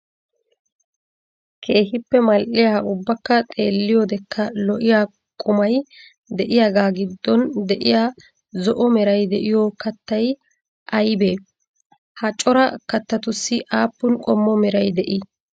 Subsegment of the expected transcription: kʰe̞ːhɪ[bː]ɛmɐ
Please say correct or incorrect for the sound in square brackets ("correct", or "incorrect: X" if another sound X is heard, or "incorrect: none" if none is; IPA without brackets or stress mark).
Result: incorrect: pː